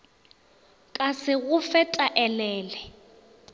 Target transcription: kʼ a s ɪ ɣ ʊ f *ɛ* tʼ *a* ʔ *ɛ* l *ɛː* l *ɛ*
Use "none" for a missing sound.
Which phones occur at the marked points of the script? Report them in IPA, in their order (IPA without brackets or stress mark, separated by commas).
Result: ɛ, a, ɛ, ɛː, ɛ